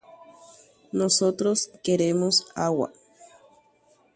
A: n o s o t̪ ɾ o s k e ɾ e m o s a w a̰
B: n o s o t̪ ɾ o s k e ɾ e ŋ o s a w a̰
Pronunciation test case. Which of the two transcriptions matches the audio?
A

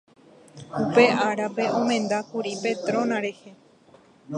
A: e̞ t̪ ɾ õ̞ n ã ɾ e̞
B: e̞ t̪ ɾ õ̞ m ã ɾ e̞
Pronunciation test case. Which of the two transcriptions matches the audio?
A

